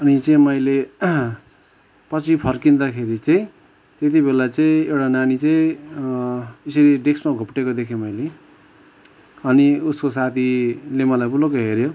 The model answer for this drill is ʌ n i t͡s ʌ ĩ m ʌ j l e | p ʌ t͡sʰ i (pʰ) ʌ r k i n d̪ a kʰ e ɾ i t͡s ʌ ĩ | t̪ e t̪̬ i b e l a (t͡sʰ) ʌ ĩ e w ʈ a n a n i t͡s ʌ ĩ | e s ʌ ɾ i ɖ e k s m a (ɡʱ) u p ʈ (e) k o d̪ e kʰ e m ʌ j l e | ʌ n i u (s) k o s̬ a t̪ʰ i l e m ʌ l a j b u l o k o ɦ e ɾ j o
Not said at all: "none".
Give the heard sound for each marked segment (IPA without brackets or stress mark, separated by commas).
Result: pʰ, t͡s, ɡʱ, e, s